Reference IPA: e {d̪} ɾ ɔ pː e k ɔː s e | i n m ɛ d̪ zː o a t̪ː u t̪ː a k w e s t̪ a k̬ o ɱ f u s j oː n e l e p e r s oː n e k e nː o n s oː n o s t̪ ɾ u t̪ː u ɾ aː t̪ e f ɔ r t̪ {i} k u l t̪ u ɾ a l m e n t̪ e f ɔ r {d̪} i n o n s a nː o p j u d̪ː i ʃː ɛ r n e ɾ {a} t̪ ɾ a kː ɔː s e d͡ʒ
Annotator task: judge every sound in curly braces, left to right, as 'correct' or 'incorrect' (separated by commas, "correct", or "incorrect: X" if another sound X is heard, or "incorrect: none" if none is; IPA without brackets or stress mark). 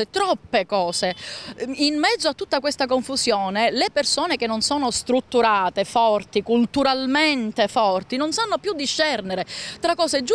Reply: incorrect: t̪, correct, incorrect: t̪, incorrect: e